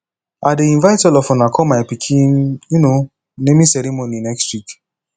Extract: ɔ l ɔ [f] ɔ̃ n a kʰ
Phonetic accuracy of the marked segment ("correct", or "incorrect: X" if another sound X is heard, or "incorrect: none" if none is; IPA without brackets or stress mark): correct